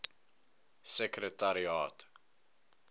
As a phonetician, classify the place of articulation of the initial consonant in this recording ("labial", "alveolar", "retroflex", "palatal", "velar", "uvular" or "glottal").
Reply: alveolar